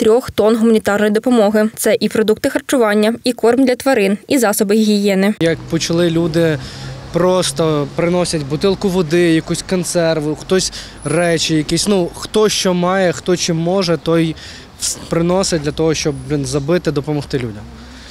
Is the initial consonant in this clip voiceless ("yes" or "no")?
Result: yes